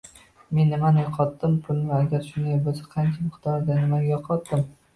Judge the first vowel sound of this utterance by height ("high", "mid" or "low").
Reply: mid